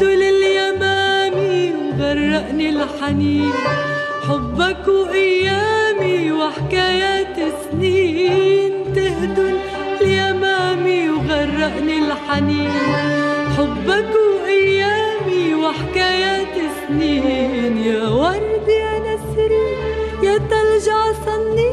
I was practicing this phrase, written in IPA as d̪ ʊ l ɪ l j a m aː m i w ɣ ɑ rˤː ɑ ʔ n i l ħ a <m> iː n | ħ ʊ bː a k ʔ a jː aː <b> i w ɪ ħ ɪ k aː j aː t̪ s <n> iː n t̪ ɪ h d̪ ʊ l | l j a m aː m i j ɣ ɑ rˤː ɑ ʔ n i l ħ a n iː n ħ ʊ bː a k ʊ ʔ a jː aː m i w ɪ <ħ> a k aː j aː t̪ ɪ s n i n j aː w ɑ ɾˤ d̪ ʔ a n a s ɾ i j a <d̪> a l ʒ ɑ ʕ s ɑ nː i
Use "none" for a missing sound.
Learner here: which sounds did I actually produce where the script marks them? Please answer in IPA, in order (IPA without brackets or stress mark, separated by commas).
n, m, n, ħ, t̪